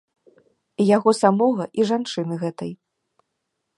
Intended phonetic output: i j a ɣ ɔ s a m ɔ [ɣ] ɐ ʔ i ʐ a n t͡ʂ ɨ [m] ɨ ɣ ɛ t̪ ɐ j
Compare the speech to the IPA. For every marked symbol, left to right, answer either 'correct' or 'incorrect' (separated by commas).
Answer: correct, incorrect